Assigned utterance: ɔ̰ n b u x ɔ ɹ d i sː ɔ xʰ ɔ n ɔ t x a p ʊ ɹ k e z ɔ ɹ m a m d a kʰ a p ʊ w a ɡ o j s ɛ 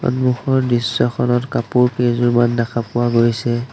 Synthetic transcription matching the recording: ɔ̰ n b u x ɔ ɹ d i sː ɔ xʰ ɔ n ɔ t k a p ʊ ɹ k e z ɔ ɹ m a n d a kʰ a p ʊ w a ɡ o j s ɛ